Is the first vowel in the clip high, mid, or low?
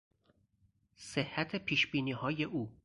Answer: mid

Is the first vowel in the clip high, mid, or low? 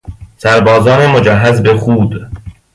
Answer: low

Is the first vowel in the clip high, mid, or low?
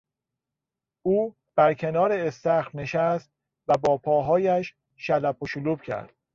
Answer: high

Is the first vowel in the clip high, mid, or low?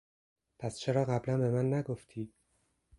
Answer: low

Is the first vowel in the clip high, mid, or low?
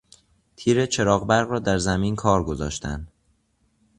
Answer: high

